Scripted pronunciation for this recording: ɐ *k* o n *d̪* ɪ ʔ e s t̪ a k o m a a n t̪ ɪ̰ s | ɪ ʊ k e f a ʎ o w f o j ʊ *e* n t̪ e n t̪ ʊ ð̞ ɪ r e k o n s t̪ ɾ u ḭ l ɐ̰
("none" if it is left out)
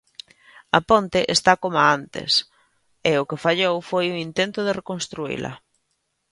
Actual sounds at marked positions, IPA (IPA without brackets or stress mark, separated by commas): p, t̪, i